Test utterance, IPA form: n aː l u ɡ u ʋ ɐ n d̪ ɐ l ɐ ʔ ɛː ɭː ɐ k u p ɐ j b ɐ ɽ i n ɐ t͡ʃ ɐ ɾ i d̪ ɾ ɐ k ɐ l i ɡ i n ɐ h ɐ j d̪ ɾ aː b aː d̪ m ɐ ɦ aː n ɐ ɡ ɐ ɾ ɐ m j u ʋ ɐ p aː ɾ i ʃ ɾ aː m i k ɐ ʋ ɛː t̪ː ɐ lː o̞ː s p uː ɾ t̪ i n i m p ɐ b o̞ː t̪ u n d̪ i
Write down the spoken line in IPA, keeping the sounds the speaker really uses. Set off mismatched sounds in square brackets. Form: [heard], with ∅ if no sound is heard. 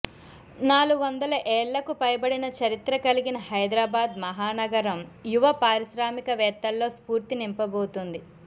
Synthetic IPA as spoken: n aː l u ɡ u ʋ ɐ n d̪ ɐ l ɐ ʔ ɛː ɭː ɐ k u p ɐ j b ɐ ɽ i n ɐ t͡ʃ ɐ ɾ i [t̪] ɾ ɐ k ɐ l i ɡ i n ɐ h ɐ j d̪ ɾ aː b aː d̪ m ɐ ɦ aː n ɐ ɡ ɐ ɾ ɐ m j u ʋ ɐ p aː ɾ i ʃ ɾ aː m i k ɐ ʋ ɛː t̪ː ɐ lː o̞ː s p uː ɾ t̪ i n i m p ɐ b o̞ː t̪ u n d̪ i